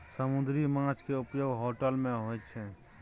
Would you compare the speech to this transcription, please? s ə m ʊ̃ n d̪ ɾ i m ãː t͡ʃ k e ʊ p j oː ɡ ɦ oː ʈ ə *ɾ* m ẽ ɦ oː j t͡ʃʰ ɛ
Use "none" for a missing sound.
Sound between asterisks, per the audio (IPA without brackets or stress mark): l